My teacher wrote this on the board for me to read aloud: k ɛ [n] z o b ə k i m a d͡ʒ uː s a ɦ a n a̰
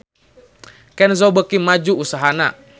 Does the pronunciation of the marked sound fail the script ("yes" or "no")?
no